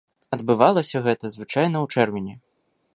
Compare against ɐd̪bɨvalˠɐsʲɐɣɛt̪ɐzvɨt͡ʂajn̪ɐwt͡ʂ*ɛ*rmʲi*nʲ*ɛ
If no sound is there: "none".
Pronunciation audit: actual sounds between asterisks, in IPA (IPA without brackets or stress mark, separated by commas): ɛ, nʲ